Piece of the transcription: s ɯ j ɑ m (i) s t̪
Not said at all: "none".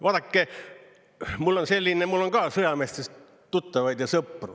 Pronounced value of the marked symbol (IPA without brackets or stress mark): e